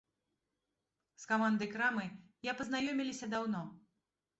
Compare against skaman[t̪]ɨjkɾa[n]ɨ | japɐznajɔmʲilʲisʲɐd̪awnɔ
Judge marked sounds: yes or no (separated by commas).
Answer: no, no